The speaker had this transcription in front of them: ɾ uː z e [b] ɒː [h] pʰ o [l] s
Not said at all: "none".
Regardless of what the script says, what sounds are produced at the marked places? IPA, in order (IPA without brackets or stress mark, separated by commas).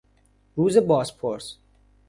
b, s, ɾ